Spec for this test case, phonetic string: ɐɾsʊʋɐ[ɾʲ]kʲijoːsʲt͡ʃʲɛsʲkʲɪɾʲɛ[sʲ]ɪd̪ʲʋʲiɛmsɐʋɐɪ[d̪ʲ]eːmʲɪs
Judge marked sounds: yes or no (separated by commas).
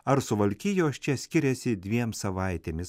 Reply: no, yes, no